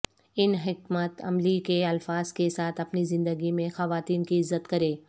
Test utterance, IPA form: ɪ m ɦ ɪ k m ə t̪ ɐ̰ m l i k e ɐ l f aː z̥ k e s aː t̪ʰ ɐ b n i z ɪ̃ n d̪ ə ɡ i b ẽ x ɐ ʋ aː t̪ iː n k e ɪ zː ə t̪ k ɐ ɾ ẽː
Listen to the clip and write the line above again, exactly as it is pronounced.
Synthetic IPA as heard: ɪ n ɦ ɪ k m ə t̪ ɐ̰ m l i k e ɐ l f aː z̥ k e s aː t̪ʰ ɐ p n i z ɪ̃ n d̪ ə ɡ i m ẽ x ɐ ʋ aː t̪ iː n k i ɪ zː ə t̪ k ɐ ɾ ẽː